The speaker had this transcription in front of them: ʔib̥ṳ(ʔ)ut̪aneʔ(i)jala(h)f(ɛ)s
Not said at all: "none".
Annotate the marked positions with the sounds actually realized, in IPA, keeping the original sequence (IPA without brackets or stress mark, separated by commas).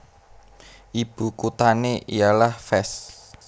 k, i, h, ɛ